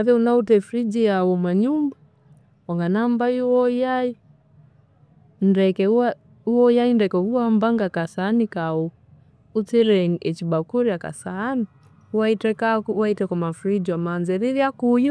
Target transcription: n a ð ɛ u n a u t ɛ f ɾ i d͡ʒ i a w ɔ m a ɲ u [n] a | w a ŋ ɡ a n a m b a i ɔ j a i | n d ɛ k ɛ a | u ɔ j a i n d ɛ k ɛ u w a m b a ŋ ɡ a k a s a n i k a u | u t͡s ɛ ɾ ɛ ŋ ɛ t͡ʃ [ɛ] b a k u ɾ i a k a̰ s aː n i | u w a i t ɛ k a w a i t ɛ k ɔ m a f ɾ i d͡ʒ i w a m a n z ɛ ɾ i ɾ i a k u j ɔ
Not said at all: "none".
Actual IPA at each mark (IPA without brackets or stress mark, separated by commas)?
m, i